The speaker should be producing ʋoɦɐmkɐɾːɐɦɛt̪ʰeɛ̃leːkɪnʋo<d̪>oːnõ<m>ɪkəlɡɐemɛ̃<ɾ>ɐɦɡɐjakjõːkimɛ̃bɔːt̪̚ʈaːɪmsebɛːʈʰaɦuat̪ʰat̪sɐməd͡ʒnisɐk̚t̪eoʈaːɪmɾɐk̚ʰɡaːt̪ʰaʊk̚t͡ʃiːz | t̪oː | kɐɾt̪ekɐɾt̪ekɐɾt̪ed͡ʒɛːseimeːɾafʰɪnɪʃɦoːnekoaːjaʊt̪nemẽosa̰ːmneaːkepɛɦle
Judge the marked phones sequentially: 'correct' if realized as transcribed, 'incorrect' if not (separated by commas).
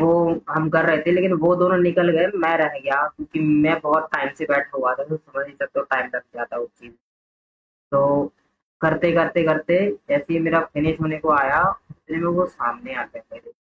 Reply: correct, incorrect, correct